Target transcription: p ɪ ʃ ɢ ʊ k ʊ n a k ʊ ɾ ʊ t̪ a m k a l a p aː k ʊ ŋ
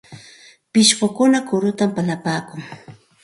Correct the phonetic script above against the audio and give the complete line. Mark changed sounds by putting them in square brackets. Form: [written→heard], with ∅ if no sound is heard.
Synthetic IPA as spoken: p ɪ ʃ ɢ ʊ k ʊ n a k ʊ ɾ ʊ t̪ a m [k→p] a l a p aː k ʊ ŋ